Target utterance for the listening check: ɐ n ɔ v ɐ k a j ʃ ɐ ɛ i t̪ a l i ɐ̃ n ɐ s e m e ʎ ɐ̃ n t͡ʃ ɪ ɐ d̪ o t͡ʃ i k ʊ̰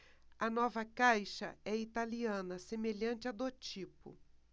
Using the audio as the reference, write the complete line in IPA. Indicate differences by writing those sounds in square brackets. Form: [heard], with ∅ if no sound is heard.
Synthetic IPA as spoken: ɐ n ɔ v ɐ k a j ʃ ɐ ɛ i t̪ a l i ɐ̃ n ɐ s e m e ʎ ɐ̃ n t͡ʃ ɪ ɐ d̪ o t͡ʃ i [p] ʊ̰